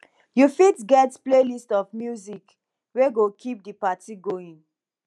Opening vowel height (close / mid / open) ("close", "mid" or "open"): close